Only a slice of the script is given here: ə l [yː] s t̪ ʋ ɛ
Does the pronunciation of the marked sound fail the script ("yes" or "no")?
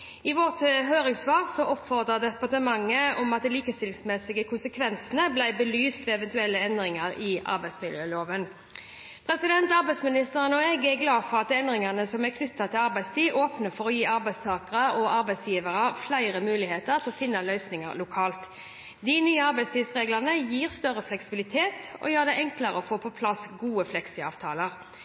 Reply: no